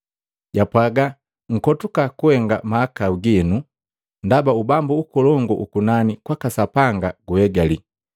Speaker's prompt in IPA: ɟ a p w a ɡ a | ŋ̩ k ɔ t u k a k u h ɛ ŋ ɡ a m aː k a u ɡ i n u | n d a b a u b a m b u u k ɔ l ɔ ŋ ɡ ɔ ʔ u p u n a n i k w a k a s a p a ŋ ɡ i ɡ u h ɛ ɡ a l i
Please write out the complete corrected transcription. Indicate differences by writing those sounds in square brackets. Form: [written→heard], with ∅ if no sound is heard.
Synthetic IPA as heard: ɟ a p w a ɡ a | ŋ̩ k ɔ t u k a k u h ɛ ŋ ɡ a m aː k a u ɡ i n u | n d a b a u b a m b u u k ɔ l ɔ ŋ ɡ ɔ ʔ u [p→k] u n a n i k w a k a s a p a ŋ ɡ [i→a] ɡ u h ɛ ɡ a l i